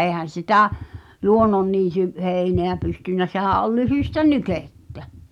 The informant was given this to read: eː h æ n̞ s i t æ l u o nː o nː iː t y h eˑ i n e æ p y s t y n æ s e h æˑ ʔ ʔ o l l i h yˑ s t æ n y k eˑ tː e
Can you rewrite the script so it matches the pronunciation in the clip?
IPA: eː h æ n̞ s i t æ l u o nː o nː iː t y h eˑ i n e æ p y s t y nː æ s e h æˑ ʔ ʔ o l l y h yˑ s t æ n y k eˑ tː æ